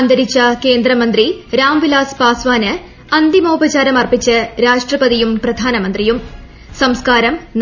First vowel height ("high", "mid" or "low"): low